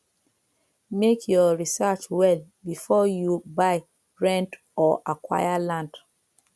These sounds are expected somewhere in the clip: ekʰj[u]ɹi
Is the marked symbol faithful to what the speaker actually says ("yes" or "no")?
no